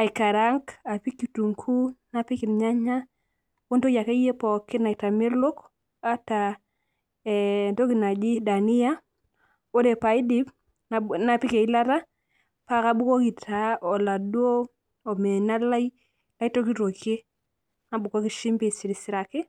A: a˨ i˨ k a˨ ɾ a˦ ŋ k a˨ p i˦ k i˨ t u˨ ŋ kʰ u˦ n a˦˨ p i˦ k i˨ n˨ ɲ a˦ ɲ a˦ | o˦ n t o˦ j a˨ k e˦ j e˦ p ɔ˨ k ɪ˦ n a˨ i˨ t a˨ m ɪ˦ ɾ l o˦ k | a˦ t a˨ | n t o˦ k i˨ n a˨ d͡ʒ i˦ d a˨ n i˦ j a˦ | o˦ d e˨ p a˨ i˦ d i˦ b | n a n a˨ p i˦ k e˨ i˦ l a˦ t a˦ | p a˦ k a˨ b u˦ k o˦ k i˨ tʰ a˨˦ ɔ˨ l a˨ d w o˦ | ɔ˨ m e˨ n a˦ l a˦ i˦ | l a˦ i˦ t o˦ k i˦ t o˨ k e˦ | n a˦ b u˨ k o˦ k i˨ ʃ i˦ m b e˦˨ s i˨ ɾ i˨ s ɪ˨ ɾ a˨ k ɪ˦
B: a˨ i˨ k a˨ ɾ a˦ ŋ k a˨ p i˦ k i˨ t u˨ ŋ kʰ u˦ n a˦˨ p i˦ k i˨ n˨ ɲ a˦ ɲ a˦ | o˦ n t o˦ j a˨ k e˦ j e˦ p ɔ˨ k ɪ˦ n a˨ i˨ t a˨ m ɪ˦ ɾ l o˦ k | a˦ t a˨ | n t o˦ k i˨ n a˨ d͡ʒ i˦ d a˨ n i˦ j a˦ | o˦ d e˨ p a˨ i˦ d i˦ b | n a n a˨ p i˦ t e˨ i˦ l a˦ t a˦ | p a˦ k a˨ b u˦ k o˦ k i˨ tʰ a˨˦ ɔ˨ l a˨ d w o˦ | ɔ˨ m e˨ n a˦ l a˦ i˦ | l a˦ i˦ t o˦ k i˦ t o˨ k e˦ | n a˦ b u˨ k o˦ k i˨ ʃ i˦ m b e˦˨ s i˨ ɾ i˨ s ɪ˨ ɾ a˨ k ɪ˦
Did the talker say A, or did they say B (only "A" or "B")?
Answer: A